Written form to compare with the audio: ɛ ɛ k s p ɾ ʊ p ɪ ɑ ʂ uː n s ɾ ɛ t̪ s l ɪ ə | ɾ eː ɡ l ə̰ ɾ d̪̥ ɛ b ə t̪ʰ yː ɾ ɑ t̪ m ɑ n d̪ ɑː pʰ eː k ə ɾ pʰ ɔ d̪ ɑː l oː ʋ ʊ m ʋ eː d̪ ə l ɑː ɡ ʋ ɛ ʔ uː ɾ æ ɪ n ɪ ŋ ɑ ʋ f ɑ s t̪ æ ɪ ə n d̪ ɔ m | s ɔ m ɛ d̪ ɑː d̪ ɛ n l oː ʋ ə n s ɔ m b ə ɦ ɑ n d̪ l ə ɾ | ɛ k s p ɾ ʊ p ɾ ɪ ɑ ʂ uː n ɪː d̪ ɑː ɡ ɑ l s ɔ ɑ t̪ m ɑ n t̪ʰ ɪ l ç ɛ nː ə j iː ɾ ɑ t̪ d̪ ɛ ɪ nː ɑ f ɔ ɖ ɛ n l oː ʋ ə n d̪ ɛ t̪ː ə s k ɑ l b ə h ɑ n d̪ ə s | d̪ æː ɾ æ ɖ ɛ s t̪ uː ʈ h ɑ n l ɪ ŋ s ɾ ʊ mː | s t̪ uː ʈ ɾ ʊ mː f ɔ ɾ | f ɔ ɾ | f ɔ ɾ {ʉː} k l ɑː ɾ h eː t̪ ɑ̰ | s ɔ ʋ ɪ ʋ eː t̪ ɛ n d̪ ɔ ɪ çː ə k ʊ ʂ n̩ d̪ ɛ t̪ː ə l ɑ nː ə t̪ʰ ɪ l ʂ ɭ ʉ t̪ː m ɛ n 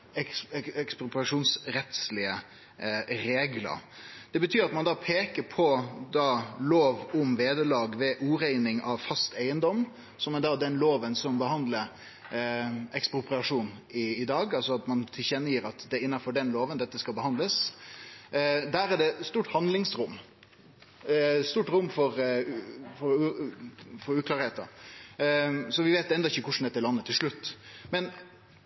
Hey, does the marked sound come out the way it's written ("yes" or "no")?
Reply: yes